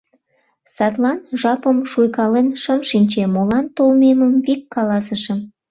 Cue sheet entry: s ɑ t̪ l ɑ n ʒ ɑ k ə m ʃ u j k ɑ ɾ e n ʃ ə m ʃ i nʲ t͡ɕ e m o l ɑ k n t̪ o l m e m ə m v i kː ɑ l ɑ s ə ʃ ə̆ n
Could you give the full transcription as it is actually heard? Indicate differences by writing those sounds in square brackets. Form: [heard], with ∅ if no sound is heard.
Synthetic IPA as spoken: s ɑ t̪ l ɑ n ʒ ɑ [p] ə m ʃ u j k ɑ [l] e n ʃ ə m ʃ i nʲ t͡ɕ e m o l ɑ [∅] n t̪ o l m e m ə m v i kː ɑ l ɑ s ə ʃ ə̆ [m]